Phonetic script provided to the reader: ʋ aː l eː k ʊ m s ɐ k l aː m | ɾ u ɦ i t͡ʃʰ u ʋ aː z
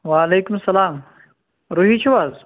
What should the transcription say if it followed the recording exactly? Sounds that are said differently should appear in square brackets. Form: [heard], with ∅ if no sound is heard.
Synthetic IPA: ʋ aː l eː k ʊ m s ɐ [∅] l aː m | ɾ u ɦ i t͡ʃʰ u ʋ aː z